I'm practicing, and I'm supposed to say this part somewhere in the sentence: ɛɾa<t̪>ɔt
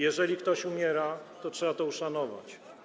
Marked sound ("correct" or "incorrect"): correct